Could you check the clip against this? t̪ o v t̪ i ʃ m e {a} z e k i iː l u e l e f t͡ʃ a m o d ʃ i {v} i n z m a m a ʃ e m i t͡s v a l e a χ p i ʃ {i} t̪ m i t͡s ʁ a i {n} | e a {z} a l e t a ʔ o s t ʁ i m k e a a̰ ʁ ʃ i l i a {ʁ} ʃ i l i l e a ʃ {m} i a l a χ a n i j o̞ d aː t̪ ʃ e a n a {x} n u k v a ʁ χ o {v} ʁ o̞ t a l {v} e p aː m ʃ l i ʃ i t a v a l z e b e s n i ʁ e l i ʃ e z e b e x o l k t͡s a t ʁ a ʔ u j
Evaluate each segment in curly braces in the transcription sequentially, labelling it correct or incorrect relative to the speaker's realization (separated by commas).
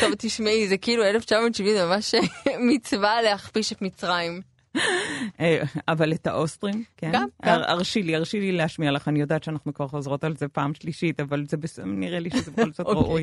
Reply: incorrect, correct, incorrect, incorrect, incorrect, correct, correct, incorrect, incorrect, incorrect